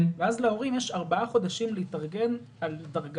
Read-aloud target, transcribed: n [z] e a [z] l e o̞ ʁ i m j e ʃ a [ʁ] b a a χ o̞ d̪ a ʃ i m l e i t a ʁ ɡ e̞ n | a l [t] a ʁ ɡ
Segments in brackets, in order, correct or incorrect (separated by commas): incorrect, correct, correct, incorrect